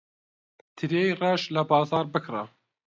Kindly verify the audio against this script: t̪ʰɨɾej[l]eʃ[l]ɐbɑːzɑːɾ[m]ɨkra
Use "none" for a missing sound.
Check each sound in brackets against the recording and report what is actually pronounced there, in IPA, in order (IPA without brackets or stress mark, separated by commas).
r, l, b